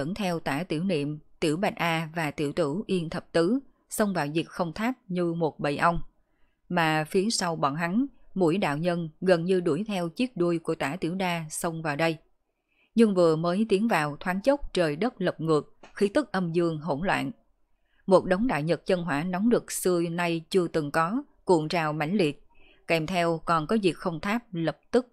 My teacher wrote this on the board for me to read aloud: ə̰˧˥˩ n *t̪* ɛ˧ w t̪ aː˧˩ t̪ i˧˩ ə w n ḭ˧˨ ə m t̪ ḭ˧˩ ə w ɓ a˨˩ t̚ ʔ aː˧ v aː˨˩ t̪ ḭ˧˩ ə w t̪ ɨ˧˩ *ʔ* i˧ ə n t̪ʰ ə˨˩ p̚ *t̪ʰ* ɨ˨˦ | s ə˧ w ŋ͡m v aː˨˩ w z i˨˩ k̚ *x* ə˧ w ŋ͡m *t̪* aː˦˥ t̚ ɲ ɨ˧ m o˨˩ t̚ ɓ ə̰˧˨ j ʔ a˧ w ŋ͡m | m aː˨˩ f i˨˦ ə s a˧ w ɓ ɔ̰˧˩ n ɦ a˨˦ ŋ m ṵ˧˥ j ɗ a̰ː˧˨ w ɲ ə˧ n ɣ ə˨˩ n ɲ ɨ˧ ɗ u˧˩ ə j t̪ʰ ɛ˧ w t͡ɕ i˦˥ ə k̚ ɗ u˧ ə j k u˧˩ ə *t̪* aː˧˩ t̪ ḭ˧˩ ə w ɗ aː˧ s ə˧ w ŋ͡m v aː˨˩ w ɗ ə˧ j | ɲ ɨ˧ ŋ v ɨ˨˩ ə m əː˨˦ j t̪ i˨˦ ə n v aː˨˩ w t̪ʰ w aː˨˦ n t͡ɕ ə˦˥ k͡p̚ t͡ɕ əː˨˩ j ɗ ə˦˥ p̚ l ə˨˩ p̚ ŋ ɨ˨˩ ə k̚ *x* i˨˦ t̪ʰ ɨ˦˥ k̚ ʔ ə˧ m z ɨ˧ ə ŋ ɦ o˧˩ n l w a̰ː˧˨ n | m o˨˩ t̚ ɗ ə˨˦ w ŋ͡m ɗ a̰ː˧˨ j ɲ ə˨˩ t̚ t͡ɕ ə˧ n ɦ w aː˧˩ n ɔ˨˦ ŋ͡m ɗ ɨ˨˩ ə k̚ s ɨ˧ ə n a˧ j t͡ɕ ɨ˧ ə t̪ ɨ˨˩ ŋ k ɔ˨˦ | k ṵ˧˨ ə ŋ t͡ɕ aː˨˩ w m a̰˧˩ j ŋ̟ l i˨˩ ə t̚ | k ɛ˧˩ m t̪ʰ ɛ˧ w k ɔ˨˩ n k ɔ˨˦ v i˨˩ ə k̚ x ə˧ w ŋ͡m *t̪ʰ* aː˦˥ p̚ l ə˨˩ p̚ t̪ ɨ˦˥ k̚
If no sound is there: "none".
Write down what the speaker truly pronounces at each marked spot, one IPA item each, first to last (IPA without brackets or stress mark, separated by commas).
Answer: t̪ʰ, ʔ, t̪, x, t̪ʰ, t̪, x, t̪ʰ